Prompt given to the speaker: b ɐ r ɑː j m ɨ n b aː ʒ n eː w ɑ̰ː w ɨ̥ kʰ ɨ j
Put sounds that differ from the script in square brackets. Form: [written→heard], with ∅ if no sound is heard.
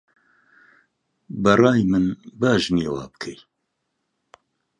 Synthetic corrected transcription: b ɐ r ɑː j m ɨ n b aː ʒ n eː w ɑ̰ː [w→b] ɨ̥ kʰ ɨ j